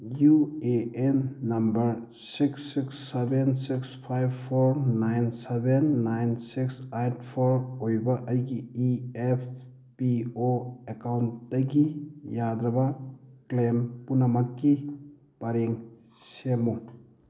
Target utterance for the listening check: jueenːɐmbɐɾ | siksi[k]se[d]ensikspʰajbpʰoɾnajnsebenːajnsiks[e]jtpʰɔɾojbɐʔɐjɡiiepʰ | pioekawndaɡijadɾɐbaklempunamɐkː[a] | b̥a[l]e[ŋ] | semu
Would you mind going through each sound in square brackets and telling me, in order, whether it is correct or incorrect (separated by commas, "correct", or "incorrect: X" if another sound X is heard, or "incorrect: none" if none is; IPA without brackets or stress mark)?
correct, incorrect: b, incorrect: a, incorrect: i, incorrect: ɾ, correct